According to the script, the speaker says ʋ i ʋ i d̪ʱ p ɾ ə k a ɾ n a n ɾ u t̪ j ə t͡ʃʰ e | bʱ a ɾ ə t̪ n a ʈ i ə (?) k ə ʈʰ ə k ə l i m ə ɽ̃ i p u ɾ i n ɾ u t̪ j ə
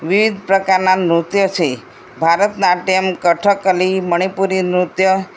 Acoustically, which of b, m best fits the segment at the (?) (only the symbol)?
m